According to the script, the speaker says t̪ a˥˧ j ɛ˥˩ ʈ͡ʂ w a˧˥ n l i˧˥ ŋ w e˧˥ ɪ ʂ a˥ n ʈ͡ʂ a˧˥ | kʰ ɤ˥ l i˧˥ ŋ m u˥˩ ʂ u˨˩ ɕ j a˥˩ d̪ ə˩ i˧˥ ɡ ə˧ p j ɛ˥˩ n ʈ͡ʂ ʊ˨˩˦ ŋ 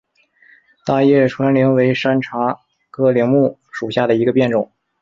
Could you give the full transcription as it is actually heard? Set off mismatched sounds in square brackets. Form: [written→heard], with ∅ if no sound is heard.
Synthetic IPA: t̪ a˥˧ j ɛ˥˩ [ʈ͡ʂ→ʈ͡ʂʰ] w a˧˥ n l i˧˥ ŋ w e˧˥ ɪ ʂ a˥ n [ʈ͡ʂ→ʈ͡ʂʰ] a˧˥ | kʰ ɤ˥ l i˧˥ ŋ m u˥˩ ʂ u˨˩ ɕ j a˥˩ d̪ ə˩ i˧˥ ɡ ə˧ p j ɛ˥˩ n ʈ͡ʂ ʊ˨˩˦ ŋ